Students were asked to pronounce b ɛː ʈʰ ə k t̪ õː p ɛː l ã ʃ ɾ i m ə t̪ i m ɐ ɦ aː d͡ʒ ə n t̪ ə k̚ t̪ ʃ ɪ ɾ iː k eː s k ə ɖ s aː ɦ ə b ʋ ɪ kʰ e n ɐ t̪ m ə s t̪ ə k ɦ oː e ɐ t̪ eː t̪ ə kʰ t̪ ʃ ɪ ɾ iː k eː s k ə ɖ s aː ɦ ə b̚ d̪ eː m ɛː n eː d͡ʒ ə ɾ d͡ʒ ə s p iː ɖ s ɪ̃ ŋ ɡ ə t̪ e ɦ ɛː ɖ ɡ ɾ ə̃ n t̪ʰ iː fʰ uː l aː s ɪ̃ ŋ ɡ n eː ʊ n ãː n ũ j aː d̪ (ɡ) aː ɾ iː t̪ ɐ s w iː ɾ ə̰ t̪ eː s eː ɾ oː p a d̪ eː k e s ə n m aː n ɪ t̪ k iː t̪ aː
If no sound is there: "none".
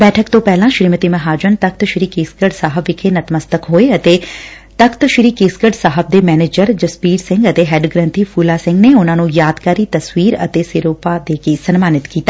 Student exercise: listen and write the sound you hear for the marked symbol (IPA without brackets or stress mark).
k